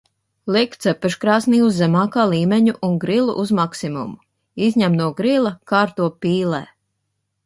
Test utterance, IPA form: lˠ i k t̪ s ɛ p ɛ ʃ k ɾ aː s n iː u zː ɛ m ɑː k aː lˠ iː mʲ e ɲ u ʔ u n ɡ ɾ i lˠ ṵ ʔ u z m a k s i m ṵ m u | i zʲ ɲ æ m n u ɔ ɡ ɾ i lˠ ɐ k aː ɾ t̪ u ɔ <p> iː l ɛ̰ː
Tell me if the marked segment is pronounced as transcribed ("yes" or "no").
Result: yes